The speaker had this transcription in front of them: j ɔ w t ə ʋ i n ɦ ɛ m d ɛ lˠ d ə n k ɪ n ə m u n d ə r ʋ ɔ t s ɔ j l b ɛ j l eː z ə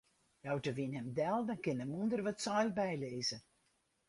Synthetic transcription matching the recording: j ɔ w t ə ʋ i n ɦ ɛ m d ɛ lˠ d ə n k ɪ n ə m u n d ə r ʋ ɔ t s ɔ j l b ɛ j l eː z ə